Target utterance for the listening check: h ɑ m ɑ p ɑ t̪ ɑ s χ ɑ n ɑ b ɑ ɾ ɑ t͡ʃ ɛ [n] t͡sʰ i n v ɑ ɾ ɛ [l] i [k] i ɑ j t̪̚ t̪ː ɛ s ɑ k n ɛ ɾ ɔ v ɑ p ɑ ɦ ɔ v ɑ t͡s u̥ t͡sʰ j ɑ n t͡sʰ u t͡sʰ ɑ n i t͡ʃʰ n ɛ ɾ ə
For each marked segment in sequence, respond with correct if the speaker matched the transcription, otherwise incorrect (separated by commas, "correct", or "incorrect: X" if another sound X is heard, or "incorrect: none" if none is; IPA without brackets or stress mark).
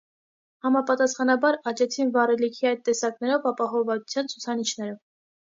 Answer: incorrect: none, correct, incorrect: kʰ